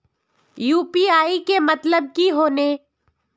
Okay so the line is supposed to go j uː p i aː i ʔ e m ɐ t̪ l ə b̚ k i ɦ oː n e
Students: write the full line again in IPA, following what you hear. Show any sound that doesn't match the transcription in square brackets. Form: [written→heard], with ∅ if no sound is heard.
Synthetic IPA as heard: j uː p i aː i [ʔ→k] e m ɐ t̪ l ə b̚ k i ɦ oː n e

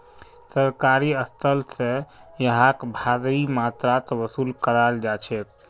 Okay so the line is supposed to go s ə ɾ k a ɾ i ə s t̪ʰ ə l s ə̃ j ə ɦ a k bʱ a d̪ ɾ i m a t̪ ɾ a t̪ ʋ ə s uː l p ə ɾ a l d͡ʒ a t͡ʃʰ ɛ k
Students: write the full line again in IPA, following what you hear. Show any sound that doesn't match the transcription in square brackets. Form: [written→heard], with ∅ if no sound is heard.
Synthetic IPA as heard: s ə ɾ k a ɾ i ə s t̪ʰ ə l s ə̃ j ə ɦ a k bʱ a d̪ ɾ i m a t̪ ɾ a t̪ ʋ ə s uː l [p→k] ə ɾ a l d͡ʒ a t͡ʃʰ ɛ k

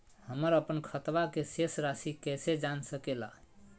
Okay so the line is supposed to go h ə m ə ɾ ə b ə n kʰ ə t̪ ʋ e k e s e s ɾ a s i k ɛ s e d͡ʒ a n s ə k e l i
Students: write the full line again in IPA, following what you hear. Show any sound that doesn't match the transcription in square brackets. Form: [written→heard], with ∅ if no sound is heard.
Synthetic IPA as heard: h ə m ə ɾ ə [b→p] ə n kʰ ə t̪ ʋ [e→a] k e s e s ɾ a s i k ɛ s e d͡ʒ a n s ə k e l [i→a]

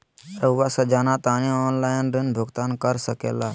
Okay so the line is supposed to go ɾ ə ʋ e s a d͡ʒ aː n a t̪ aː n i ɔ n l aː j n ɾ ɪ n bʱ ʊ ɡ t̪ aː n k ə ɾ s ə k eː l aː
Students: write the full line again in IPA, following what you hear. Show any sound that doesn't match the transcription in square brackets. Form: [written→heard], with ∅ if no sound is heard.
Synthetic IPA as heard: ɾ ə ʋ [e→a] s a d͡ʒ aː n a t̪ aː n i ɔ n l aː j n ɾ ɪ n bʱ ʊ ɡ t̪ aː n k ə ɾ s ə k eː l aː

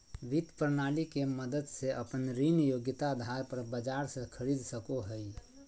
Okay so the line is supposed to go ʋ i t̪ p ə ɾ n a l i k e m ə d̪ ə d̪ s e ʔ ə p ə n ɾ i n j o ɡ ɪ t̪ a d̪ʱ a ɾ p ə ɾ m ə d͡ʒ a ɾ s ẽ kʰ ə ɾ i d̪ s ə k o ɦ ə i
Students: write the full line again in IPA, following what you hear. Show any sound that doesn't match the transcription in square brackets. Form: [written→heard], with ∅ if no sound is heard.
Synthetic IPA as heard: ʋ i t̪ p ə ɾ n a l i k e m ə d̪ ə d̪ s e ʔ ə p ə n ɾ i n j o ɡ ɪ t̪ a d̪ʱ a ɾ p ə ɾ [m→b] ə d͡ʒ a ɾ s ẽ kʰ ə ɾ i d̪ s ə k o ɦ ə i

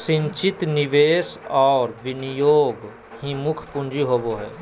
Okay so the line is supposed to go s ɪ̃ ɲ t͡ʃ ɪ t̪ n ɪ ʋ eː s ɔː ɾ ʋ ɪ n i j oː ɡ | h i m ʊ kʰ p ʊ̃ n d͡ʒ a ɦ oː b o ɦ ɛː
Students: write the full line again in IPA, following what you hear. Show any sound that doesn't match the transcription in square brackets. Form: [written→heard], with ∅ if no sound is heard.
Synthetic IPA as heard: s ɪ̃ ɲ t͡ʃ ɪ t̪ n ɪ ʋ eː s ɔː ɾ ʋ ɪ n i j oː ɡ | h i m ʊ kʰ p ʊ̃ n d͡ʒ [a→i] ɦ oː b o ɦ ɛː

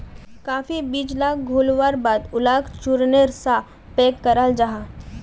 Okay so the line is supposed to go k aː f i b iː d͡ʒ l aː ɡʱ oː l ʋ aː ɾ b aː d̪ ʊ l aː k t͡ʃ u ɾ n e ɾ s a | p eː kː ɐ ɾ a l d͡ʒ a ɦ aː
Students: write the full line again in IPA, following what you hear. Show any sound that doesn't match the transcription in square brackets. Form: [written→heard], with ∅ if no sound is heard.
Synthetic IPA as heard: k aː f i b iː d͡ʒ l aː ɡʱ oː l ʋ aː ɾ b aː d̪ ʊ l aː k t͡ʃ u ɾ n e ɾ s a | p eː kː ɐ ɾ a l d͡ʒ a ɦ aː

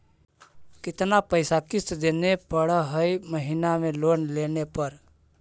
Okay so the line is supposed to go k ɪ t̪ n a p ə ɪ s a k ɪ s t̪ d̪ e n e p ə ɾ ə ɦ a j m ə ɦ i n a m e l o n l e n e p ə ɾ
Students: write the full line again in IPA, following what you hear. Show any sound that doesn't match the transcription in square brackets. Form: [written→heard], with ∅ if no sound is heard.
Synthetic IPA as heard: k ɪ t̪ n a p ə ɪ s a k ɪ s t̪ d̪ e n e p ə [ɾ→ɽ] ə ɦ [a→ə] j m ə ɦ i n a m e l o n l e n e p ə ɾ

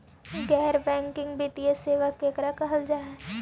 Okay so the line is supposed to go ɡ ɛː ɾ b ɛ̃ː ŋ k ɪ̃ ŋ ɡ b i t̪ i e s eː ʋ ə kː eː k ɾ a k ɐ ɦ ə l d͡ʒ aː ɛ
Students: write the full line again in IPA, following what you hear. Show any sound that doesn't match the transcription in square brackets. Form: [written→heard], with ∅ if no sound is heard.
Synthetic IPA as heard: ɡ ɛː ɾ b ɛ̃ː ŋ k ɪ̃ ŋ ɡ b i t̪ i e s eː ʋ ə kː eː k ɾ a k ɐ ɦ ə l d͡ʒ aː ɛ

